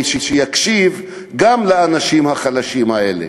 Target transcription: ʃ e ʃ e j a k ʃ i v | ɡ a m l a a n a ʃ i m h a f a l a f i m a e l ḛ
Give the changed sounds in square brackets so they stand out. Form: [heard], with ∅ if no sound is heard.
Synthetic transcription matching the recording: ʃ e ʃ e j a k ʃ i v | ɡ a m l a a n a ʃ i m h a [χ] a l a [ʃ] i m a e l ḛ